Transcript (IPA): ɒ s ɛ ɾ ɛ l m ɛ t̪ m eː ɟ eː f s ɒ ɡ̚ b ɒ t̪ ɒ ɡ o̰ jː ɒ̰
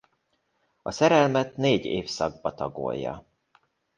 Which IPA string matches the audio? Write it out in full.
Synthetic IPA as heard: ɒ s ɛ ɾ ɛ l m ɛ t̪ n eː ɟ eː f s ɒ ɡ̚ b ɒ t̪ ɒ ɡ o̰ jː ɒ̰